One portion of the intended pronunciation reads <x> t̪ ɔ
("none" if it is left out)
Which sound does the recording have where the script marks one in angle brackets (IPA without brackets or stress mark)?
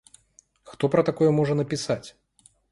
x